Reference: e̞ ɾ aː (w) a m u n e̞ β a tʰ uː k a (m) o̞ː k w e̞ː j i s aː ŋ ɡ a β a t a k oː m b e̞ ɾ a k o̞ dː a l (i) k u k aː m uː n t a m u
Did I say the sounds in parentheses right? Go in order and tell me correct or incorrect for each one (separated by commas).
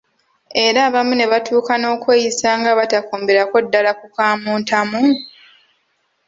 incorrect, incorrect, incorrect